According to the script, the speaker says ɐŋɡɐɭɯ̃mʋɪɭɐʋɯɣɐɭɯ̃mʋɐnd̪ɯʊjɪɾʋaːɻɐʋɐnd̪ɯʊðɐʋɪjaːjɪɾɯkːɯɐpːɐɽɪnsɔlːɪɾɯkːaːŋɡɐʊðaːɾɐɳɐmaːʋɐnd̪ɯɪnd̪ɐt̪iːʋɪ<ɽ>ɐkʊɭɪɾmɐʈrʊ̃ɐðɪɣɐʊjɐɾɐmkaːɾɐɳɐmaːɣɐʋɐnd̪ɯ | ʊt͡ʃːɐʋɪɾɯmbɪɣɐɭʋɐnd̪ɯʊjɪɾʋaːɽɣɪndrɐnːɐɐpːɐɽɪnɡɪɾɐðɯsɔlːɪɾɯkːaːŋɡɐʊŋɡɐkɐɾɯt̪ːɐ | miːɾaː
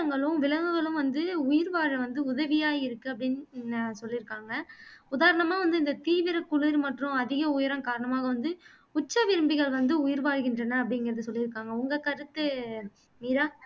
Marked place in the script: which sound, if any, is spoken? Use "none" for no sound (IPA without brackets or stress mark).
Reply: ɾ